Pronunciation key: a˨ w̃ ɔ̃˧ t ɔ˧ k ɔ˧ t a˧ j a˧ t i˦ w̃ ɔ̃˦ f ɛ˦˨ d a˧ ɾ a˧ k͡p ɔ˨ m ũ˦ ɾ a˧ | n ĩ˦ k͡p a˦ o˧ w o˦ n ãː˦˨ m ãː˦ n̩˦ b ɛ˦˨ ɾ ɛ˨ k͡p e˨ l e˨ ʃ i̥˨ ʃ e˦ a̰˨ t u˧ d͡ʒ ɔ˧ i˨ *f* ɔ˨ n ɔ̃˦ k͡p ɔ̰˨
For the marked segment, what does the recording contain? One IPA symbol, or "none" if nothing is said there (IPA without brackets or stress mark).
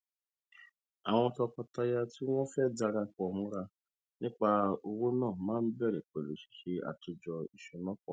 ʃ